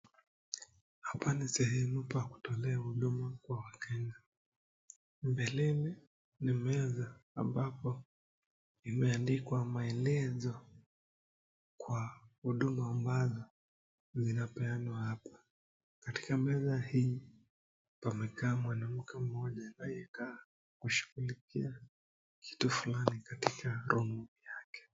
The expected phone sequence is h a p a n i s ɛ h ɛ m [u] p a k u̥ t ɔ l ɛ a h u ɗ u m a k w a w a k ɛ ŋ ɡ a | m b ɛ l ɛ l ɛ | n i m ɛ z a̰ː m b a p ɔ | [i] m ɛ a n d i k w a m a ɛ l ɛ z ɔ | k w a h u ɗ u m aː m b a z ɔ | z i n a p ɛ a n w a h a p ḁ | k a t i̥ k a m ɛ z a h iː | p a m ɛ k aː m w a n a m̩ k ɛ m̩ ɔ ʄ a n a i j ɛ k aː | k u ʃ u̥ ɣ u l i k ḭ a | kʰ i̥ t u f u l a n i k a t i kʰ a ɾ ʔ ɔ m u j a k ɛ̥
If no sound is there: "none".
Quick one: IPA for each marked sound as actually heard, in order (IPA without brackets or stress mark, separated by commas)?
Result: u, i